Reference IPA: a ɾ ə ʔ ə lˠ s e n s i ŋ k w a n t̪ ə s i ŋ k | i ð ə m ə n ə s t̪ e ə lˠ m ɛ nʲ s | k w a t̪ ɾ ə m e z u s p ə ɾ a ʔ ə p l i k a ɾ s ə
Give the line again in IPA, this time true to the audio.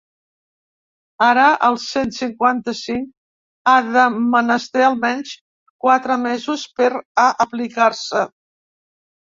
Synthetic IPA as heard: a ɾ ə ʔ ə lˠ s e n s i ŋ k w a n t̪ ə s i ŋ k | a ð ə m ə n ə s t̪ e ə lˠ m ɛ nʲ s | k w a t̪ ɾ ə m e z u s p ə ɾ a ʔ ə p l i k a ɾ s ə